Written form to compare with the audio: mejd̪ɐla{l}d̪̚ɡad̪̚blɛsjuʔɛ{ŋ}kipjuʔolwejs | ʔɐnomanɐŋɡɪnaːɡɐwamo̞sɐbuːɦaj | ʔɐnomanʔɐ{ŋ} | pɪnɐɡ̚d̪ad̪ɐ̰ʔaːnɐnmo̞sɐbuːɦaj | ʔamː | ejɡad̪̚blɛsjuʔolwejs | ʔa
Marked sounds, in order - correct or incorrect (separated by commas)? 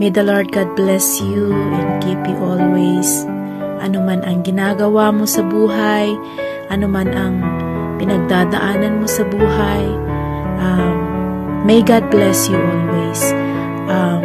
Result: incorrect, incorrect, correct